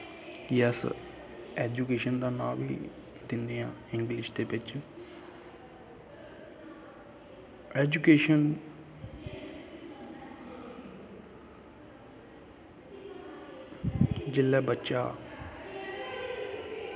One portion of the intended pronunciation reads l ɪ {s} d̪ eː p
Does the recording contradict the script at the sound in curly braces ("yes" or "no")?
yes